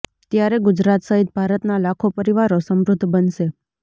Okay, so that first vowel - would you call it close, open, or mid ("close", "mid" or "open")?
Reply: open